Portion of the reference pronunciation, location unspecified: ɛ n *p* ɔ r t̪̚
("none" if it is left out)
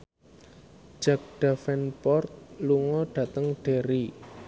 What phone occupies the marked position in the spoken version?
p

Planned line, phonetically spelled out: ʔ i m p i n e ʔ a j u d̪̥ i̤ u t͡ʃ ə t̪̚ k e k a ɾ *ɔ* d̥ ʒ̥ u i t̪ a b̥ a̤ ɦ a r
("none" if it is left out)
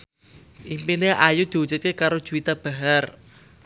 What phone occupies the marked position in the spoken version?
o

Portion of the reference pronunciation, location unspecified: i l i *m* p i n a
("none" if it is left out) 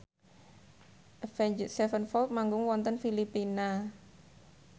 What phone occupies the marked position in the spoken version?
none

